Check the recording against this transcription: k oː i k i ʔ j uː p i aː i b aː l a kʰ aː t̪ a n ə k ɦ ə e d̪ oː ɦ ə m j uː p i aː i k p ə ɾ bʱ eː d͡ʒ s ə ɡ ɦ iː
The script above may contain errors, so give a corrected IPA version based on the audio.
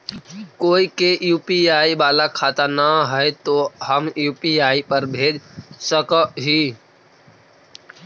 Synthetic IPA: k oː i k e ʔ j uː p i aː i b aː l a kʰ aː t̪ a n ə ɦ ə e t̪ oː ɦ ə m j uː p i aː i p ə ɾ bʱ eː d͡ʒ s ə k ɦ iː